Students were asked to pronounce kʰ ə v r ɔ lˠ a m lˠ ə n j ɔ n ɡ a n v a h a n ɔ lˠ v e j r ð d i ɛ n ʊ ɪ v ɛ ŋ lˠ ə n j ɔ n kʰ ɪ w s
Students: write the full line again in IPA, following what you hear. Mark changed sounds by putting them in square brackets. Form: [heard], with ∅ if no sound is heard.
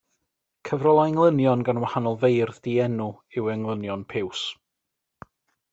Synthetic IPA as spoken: kʰ ə v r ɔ lˠ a [ŋ] lˠ ə n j ɔ n ɡ a n [w] a h a n ɔ lˠ v e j r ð d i ɛ n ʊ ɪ [w] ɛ ŋ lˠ ə n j ɔ n [pʰ] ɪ w s